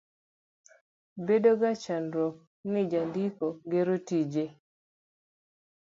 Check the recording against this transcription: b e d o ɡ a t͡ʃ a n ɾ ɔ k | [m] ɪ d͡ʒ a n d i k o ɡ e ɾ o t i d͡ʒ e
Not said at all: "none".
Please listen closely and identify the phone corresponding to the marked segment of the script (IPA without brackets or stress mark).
n